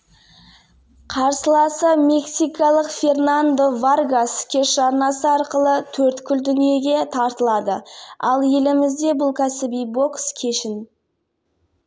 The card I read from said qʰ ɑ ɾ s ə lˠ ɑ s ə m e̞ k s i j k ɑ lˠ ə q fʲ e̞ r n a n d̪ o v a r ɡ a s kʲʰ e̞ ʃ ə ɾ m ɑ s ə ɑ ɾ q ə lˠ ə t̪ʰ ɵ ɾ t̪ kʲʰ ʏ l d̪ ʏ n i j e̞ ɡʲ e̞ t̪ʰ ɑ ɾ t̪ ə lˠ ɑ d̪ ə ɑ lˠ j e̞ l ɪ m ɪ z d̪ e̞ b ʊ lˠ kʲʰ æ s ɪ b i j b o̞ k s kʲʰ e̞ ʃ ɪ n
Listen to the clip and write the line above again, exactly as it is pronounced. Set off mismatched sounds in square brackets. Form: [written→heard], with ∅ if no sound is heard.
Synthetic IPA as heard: qʰ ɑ ɾ s ə lˠ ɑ s ə m e̞ k s i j k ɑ lˠ ə q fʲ e̞ r n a n d̪ o v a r ɡ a s kʲʰ e̞ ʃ [ə→ɑ] ɾ [m→n] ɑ s ə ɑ ɾ q ə lˠ ə t̪ʰ ɵ ɾ t̪ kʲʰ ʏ l d̪ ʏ n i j e̞ ɡʲ e̞ t̪ʰ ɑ ɾ t̪ ə lˠ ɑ d̪ ə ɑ lˠ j e̞ l ɪ m ɪ z d̪ e̞ b ʊ lˠ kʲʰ æ s ɪ b i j b o̞ k s kʲʰ e̞ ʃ ɪ n